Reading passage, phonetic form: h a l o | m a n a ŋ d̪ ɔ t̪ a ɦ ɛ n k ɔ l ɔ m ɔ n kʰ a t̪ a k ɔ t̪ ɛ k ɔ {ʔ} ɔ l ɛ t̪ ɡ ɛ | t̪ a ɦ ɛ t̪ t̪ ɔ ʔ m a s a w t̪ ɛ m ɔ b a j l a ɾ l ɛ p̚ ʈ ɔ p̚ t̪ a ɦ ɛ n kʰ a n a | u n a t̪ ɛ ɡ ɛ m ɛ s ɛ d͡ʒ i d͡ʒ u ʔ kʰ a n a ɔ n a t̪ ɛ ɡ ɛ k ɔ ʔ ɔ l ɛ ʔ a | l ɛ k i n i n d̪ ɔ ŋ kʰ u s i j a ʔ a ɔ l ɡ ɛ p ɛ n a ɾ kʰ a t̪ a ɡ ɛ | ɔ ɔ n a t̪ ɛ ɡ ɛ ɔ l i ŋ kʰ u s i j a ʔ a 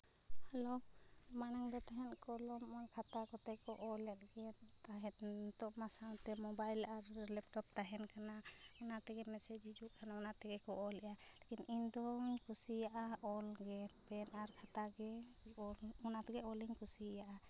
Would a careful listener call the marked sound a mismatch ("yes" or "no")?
no